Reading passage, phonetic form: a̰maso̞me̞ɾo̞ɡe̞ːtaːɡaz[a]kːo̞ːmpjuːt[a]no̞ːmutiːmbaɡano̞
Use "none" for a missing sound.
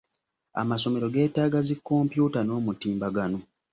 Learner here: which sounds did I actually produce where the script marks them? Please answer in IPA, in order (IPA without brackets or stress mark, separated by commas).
i, a